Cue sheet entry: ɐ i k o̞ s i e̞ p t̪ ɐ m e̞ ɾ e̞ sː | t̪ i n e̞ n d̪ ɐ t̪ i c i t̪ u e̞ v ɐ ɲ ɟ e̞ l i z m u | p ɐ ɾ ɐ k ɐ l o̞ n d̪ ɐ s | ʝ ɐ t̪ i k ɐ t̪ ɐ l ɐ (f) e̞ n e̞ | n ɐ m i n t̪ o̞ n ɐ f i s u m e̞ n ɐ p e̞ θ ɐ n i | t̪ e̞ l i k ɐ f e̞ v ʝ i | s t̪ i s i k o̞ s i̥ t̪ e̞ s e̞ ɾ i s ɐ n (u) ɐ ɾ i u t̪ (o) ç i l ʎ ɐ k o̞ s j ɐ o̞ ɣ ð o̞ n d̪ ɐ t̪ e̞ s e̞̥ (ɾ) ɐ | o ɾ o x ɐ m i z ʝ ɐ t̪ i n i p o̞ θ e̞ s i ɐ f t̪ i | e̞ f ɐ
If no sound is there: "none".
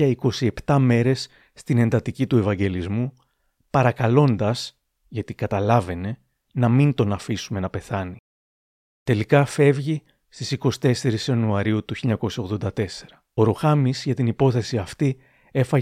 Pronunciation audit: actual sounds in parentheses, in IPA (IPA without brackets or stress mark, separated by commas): v, u, u, ɾ